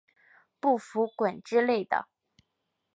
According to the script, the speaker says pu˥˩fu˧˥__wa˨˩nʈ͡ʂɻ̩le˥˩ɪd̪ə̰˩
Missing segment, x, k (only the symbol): k